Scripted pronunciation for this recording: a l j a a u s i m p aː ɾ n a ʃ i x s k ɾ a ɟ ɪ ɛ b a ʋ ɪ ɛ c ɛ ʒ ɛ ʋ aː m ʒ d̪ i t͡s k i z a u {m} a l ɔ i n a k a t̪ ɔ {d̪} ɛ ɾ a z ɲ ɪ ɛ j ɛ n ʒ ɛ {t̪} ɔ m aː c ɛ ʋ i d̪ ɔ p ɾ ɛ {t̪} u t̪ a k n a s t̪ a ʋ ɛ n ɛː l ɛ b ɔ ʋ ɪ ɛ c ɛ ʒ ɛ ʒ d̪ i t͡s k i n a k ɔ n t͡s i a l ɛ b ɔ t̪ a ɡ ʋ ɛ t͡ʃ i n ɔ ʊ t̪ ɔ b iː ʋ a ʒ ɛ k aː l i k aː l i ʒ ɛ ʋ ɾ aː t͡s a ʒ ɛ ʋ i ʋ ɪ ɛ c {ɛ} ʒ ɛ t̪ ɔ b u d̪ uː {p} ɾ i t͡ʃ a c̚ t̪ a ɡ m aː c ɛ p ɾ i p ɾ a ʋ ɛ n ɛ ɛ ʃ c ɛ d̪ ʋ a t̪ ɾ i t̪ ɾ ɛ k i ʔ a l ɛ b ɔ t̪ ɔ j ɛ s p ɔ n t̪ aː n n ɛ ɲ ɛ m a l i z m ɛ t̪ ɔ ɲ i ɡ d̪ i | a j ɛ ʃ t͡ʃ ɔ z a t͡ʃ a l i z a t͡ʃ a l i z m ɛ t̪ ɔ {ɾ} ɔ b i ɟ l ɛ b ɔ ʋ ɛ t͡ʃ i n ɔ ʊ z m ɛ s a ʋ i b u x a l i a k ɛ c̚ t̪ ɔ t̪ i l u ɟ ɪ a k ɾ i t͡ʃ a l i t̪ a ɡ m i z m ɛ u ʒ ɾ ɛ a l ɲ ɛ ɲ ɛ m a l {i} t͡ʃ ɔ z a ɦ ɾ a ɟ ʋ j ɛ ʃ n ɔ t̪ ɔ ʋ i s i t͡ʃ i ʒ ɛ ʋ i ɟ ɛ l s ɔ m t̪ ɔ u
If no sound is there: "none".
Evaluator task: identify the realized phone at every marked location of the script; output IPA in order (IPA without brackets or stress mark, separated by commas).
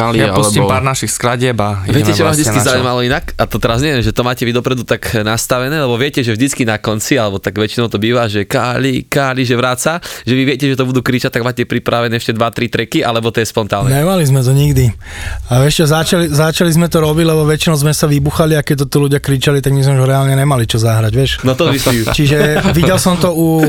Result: m, t̪, t̪, d̪, ɛ, k, ɾ, i